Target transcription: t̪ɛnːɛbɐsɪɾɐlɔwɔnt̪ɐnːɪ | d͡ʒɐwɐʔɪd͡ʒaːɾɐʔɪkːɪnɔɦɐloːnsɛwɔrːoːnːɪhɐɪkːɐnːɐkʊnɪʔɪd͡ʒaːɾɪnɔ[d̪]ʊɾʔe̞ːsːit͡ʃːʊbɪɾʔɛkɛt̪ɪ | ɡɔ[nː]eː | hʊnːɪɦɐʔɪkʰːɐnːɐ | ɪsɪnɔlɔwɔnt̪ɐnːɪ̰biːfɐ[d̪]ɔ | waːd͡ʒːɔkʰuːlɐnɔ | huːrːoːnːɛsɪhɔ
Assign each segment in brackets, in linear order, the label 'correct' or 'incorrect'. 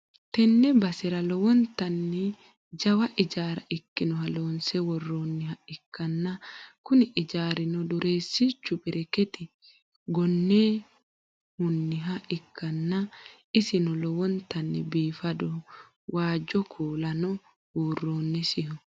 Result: correct, correct, correct

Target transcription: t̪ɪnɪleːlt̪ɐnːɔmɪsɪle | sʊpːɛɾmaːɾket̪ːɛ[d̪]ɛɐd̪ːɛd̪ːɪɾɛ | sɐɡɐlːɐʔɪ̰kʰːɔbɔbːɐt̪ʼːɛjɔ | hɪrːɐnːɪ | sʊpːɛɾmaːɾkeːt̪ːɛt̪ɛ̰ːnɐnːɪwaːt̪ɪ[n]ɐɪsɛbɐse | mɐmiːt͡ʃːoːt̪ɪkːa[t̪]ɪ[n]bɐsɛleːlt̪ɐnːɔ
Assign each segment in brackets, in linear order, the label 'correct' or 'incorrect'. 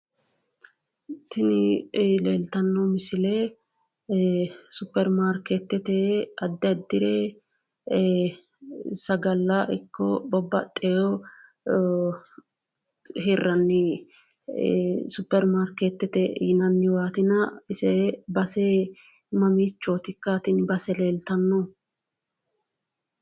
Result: incorrect: t̪, correct, correct, correct

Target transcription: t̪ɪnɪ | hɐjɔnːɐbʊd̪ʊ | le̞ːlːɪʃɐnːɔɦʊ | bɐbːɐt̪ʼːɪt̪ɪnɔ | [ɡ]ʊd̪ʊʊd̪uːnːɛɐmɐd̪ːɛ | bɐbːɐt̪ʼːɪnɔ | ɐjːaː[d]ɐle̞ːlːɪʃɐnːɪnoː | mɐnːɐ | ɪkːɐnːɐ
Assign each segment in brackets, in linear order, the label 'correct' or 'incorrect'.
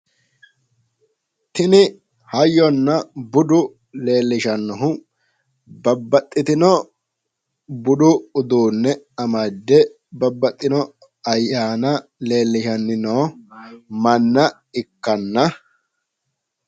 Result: incorrect: b, incorrect: n

